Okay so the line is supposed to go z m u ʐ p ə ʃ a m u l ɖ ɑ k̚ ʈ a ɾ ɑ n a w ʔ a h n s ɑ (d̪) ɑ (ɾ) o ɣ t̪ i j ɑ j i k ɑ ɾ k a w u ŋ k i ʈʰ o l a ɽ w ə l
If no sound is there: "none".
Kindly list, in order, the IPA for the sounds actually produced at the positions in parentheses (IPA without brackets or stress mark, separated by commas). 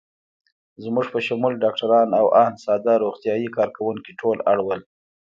d̪, ɾ